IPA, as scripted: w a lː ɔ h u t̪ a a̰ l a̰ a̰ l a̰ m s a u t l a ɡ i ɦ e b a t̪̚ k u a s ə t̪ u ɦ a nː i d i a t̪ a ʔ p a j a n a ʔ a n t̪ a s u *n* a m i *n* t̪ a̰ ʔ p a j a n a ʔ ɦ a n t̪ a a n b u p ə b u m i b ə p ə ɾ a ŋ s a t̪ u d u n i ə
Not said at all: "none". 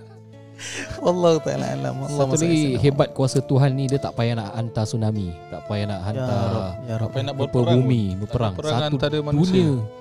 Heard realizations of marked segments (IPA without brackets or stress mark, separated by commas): n, none